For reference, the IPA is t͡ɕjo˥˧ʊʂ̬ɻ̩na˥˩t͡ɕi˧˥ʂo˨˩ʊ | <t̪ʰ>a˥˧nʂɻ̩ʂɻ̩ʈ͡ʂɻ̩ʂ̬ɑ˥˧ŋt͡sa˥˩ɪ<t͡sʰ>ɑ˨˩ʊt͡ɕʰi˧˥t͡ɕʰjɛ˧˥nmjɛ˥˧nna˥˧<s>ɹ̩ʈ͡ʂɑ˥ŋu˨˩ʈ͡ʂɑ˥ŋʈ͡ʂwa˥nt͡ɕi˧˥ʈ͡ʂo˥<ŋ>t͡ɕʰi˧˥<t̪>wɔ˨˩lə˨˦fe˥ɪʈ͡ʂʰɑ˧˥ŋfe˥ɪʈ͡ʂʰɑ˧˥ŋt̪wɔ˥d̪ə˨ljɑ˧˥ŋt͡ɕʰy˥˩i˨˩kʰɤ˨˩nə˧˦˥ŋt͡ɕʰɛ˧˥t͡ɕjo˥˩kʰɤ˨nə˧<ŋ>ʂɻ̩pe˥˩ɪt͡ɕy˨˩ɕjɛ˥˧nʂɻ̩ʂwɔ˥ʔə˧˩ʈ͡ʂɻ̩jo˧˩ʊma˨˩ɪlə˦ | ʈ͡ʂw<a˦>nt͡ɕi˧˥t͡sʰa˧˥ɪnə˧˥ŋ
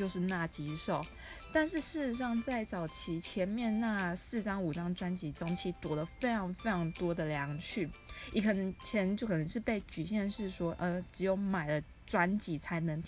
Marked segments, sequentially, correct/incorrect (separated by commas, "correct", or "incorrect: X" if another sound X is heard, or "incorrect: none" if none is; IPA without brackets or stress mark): incorrect: t̪, incorrect: t͡s, correct, correct, correct, correct, correct